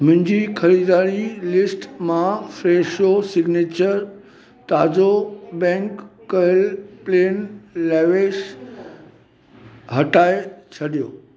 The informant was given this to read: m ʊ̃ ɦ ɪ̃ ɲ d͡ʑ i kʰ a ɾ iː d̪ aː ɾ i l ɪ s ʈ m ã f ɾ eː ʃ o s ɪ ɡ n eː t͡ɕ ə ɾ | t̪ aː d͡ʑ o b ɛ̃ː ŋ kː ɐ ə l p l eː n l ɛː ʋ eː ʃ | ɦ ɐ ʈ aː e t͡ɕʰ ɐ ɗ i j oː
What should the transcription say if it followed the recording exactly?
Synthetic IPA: m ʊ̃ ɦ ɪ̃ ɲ d͡ʑ i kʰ ɐ ɾ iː d̪ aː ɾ i l ɪ s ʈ m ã f ɾ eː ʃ o s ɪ ɡ n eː t͡ɕ ə ɾ | t̪ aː d͡ʑ o b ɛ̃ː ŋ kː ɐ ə l p l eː n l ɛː ʋ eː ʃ | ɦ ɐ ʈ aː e t͡ɕʰ ɐ ɗ i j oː